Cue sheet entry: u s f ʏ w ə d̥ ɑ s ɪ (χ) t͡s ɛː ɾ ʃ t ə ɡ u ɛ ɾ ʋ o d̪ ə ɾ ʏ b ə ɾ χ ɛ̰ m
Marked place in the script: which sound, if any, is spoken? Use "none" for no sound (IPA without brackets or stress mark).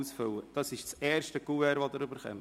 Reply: ʃ